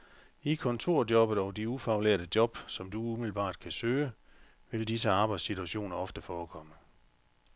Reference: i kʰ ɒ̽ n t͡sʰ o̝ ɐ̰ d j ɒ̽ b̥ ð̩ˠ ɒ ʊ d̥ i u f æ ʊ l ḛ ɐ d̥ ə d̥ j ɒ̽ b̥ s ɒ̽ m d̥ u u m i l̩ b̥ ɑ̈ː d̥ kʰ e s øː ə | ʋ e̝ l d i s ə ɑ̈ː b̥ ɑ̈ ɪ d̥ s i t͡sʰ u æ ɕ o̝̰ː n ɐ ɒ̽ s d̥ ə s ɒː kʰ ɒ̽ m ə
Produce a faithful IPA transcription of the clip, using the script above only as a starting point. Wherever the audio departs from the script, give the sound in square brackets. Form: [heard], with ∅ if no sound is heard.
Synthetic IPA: i kʰ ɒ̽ n t͡sʰ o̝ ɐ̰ d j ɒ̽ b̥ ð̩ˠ ɒ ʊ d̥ i u f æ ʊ l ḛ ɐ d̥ ə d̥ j ɒ̽ b̥ s ɒ̽ m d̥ u u m i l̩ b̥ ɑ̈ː d̥ kʰ [æ] s øː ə | ʋ e̝ l d i s ə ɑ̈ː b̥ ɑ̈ ɪ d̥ s i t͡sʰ u æ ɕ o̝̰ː n ɐ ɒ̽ [f] d̥ ə [f] ɒː kʰ ɒ̽ m ə